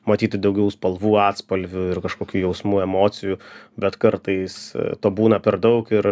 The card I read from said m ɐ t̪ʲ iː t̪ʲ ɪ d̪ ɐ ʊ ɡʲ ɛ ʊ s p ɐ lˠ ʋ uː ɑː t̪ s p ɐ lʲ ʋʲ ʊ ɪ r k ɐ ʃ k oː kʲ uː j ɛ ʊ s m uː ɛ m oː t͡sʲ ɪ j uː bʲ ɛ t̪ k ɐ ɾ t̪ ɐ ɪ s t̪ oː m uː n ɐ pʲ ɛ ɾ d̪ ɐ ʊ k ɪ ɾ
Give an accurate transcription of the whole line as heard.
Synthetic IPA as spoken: m ɐ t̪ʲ iː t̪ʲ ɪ d̪ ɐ ʊ ɡʲ ɛ ʊ s p ɐ lˠ ʋ uː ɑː t̪ s p ɐ lʲ ʋʲ ʊ ɪ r k ɐ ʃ k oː kʲ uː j ɛ ʊ s m uː ɛ m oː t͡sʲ ɪ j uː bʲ ɛ t̪ k ɐ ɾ t̪ ɐ ɪ s t̪ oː b uː n ɐ pʲ ɛ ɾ d̪ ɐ ʊ k ɪ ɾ